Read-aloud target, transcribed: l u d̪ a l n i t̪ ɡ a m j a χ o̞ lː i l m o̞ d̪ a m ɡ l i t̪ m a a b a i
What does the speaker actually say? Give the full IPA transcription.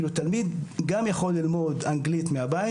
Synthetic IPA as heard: l u t̪ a l m i d̪ ɡ a m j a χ o̞ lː i l m o̞ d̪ a ŋ ɡ l i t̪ m e a b a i